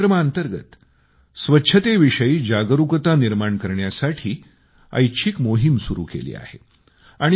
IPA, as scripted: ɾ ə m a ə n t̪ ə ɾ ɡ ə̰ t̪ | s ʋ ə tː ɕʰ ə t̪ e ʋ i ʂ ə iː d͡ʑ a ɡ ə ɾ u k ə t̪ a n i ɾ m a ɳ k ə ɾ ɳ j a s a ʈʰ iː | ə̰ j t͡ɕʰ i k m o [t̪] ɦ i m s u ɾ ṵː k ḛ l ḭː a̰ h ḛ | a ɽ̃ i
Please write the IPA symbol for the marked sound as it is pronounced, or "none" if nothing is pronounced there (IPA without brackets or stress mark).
none